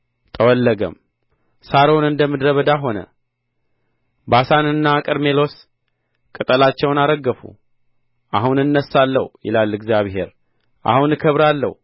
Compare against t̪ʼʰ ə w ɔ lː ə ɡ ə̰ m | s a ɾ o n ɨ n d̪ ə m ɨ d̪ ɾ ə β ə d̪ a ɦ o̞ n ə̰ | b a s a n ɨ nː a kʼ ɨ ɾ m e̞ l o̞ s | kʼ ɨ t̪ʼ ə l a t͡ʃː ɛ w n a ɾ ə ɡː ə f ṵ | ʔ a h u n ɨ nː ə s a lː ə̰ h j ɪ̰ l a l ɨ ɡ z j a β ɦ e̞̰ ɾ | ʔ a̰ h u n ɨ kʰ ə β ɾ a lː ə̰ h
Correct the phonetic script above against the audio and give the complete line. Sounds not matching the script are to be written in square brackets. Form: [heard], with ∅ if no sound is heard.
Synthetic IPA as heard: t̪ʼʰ ə w ɔ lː ə ɡ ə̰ m | s a ɾ o n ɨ n d̪ ə m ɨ d̪ ɾ ə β ə d̪ a ɦ o̞ n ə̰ | b a s a n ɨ nː a kʼ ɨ ɾ m e̞ l o̞ s | kʼ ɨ t̪ʼ ə l a t͡ʃː ɛ w n a ɾ ə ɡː ə f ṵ | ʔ a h u n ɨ nː ə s a lː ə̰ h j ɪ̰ l a l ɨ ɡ z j a β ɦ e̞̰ ɾ | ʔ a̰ h u n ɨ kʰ ə β ɾ a lː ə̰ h